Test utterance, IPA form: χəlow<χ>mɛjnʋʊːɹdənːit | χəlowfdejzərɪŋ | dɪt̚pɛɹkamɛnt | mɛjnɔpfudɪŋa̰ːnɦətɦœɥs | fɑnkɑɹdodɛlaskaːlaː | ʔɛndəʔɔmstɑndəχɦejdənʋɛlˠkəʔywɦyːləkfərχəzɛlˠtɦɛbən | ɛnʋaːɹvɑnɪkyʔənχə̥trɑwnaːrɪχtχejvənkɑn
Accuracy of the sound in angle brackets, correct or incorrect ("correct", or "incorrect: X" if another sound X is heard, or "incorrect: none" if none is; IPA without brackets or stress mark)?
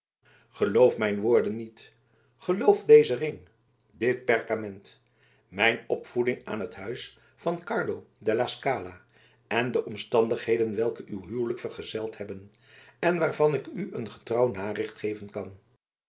incorrect: f